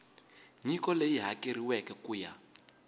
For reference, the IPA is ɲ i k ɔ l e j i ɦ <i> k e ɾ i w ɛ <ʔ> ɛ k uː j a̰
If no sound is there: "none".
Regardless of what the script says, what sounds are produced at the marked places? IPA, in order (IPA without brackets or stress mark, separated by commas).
a, k